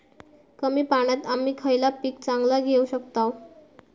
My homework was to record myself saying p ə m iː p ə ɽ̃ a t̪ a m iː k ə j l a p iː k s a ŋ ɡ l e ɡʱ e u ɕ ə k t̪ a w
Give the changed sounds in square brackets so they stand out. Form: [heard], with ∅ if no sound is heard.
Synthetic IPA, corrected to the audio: [k] ə m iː p [a] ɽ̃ a t̪ a m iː [kʰ] ə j l a p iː k [t͡s] a ŋ ɡ l [a] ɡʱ e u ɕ ə k t̪ a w